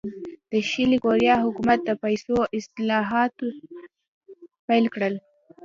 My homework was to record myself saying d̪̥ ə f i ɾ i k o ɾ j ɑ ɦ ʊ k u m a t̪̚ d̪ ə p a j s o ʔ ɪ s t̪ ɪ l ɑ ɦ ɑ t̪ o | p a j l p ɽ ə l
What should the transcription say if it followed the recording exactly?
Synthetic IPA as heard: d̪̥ ə ʃ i l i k o ɾ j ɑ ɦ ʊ k u m a t̪̚ d̪ ə p a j s o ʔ ɪ s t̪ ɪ l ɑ ɦ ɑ t̪ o | p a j l k ɽ ə l